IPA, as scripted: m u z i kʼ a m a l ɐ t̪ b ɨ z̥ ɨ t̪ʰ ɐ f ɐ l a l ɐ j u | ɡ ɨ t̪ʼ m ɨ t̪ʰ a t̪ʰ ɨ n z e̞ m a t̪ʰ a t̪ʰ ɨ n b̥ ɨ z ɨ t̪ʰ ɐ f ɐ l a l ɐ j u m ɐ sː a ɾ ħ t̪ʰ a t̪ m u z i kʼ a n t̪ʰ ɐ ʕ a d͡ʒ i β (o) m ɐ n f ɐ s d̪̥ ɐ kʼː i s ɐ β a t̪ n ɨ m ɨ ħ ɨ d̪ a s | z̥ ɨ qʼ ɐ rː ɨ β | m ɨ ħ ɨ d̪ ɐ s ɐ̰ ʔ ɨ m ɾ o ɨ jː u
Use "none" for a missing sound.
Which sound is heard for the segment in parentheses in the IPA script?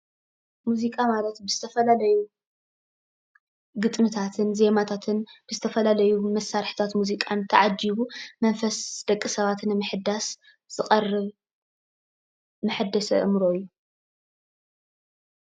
u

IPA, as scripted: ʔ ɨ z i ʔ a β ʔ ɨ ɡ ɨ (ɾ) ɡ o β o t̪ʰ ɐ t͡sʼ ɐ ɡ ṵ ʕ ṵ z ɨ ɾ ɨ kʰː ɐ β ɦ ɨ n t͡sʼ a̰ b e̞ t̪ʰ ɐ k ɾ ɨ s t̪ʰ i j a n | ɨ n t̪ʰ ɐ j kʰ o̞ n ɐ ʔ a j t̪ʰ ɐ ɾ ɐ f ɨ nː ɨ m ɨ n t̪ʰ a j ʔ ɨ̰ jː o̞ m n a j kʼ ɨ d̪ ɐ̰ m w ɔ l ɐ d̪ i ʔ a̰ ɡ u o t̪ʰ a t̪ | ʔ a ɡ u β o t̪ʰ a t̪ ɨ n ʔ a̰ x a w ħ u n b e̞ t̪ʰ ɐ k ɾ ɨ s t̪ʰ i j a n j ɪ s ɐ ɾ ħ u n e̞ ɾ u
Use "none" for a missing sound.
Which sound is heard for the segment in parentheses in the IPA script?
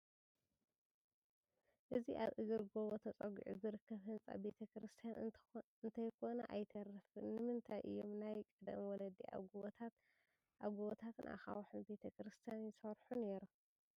ɾ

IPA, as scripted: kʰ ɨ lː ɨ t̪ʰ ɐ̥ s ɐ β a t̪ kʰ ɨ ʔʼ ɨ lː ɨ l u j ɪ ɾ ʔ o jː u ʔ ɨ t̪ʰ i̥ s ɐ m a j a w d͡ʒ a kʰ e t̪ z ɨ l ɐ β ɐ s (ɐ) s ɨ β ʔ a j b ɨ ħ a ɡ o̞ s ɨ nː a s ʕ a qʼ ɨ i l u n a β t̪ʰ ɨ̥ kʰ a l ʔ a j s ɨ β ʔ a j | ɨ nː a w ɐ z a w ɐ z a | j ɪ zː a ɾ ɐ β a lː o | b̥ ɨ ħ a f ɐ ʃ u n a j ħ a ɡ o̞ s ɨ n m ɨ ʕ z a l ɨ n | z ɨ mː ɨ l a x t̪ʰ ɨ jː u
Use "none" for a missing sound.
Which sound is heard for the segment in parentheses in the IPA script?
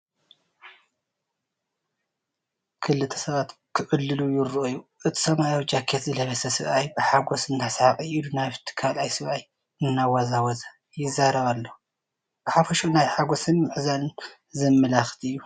ɐ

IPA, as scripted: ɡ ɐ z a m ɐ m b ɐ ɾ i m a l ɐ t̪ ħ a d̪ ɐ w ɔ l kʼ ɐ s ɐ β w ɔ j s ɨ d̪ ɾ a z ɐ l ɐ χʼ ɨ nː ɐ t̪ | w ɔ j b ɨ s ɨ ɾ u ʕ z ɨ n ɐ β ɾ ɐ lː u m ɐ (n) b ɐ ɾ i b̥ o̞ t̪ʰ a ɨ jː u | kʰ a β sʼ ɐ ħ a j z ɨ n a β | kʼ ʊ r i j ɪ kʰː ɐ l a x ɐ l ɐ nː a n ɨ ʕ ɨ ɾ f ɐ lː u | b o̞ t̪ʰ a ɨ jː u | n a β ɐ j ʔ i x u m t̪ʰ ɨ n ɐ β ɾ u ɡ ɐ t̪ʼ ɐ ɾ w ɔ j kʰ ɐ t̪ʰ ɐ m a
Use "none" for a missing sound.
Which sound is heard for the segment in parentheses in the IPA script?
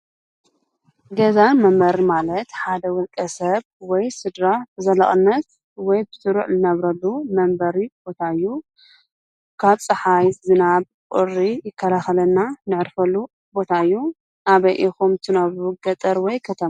m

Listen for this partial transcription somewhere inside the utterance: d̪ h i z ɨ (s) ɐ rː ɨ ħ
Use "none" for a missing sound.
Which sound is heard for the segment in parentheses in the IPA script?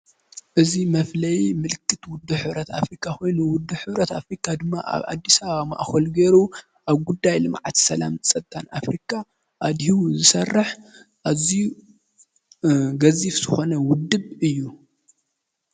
s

